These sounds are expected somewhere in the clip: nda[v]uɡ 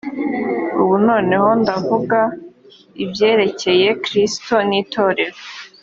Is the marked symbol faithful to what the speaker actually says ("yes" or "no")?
yes